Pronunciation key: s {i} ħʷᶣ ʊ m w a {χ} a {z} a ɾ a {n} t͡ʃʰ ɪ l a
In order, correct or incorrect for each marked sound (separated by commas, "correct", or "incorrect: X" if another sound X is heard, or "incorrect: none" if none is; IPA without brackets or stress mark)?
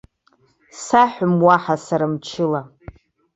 incorrect: a, incorrect: ħ, incorrect: s, incorrect: m